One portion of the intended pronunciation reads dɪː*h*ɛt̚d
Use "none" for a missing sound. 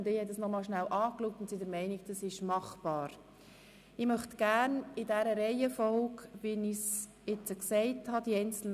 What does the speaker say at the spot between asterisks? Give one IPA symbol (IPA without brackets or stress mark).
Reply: h